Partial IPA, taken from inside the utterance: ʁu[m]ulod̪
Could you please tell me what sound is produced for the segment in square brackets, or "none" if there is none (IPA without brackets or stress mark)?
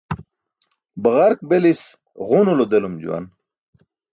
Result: n